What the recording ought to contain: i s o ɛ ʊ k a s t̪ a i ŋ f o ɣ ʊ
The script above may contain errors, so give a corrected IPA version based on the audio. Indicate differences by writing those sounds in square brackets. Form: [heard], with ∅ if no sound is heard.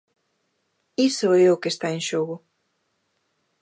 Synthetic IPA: i s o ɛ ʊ k [e] s t̪ a [e] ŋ [ʃ] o ɣ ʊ